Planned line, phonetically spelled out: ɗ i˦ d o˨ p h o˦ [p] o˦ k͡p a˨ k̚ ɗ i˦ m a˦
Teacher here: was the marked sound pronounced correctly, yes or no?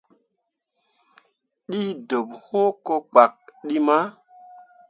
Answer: no